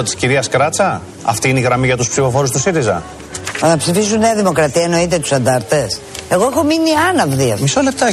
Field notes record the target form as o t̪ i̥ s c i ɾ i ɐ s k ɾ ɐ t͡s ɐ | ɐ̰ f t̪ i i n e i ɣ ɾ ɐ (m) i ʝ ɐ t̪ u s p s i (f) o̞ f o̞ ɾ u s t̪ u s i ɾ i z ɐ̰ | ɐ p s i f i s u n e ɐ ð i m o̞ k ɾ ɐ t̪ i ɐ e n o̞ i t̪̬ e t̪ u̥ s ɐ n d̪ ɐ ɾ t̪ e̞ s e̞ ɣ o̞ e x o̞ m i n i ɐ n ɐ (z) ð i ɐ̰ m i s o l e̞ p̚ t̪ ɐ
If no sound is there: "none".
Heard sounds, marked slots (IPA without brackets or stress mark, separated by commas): m, f, v